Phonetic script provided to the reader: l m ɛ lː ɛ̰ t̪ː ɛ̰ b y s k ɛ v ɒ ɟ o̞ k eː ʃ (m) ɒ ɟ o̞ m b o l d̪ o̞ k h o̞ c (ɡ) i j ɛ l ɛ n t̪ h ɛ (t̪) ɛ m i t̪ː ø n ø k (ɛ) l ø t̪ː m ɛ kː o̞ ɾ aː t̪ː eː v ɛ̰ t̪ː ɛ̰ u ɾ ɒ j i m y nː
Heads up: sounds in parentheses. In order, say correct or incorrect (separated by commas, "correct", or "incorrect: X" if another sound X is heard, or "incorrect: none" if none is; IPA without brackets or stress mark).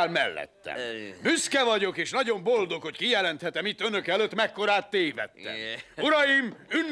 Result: incorrect: n, incorrect: k, correct, correct